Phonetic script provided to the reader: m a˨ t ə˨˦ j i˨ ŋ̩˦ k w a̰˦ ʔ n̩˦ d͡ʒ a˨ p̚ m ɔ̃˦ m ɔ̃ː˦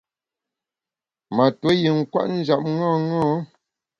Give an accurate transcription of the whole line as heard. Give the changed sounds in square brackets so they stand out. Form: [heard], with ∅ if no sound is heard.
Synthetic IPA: m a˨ t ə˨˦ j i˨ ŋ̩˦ k w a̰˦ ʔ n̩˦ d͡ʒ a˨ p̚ [ŋ] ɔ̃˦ [ŋ] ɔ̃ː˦